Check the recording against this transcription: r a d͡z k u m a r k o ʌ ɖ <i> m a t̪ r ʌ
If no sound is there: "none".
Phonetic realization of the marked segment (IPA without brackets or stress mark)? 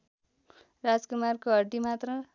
i